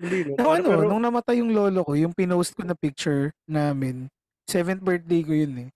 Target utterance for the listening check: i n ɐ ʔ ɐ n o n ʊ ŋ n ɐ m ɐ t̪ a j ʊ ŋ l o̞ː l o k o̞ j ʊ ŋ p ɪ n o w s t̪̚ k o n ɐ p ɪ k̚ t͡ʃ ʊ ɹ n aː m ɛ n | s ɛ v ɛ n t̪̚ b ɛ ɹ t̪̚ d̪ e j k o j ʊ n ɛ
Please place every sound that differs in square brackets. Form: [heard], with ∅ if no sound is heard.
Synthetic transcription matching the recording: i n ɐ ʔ ɐ n o n ʊ ŋ n ɐ m ɐ t̪ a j ʊ ŋ l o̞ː l o k o̞ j ʊ ŋ p ɪ n o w s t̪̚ k o n ɐ p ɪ k̚ t͡ʃ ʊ ɹ n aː m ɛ n | s ɛ v ɛ n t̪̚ b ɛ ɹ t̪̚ d̪ e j k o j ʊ n ɛ